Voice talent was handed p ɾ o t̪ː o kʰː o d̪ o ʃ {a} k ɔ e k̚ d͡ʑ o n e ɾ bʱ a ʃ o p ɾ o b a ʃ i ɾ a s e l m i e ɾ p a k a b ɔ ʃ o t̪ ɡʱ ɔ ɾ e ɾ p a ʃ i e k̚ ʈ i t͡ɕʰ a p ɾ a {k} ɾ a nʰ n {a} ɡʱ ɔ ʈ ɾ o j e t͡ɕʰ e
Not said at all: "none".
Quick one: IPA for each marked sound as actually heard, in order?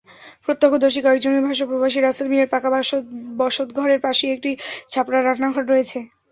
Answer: i, none, a

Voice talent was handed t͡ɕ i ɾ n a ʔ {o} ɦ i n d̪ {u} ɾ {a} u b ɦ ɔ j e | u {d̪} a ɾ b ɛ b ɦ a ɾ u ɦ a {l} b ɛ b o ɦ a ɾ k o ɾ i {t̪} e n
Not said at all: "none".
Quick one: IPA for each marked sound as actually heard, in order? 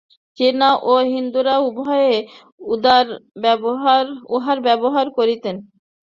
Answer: o, u, a, d̪, ɾ, t̪

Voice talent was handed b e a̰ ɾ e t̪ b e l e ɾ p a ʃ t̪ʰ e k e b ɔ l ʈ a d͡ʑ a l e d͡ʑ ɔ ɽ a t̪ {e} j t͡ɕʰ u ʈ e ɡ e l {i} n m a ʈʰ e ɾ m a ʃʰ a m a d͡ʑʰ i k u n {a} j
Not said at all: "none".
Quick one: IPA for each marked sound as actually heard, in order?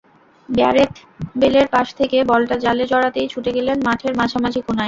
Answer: e, e, a

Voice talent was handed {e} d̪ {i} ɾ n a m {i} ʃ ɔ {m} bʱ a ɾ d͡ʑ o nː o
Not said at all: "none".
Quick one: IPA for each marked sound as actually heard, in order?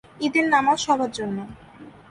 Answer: i, e, a, none

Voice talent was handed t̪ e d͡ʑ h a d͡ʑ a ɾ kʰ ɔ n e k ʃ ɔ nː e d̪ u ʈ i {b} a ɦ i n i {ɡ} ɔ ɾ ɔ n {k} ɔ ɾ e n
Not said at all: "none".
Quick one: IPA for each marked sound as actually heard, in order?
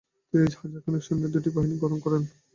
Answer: b, ɡ, k

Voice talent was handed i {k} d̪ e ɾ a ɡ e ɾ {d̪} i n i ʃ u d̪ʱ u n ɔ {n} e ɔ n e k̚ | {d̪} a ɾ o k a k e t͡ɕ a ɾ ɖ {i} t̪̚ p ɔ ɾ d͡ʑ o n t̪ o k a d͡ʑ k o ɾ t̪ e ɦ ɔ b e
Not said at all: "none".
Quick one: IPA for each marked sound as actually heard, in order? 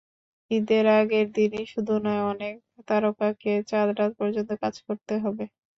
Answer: none, d̪, none, t̪, a

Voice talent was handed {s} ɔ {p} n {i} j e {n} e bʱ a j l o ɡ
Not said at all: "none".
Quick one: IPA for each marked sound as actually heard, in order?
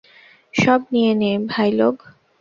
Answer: ʃ, b, i, n

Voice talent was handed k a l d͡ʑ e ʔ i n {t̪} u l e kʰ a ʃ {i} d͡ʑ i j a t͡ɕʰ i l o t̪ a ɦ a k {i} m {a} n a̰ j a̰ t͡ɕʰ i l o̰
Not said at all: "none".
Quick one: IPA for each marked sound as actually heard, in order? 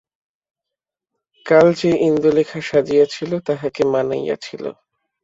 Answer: d̪, a, e, a

